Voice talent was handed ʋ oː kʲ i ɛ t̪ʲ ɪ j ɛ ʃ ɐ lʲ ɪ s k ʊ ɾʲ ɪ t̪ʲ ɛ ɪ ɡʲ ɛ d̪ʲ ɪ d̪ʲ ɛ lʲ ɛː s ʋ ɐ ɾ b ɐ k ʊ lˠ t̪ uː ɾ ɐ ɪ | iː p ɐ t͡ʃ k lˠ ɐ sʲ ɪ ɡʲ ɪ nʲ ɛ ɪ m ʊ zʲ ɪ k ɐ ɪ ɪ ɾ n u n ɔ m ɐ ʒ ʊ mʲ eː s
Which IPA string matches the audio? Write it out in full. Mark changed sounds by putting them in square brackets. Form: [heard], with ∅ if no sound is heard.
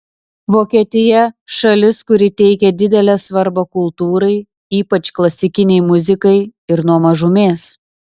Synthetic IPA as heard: ʋ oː kʲ i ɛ t̪ʲ ɪ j ɛ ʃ ɐ lʲ ɪ s k ʊ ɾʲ ɪ t̪ʲ ɛ ɪ [kʲ] ɛ d̪ʲ ɪ d̪ʲ ɛ lʲ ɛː s ʋ ɐ ɾ b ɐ k ʊ lˠ t̪ uː ɾ ɐ ɪ | iː p ɐ t͡ʃ k lˠ ɐ sʲ ɪ [kʲ] ɪ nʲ ɛ ɪ m ʊ zʲ ɪ k ɐ ɪ ɪ ɾ n u [∅] ɔ m ɐ ʒ ʊ mʲ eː s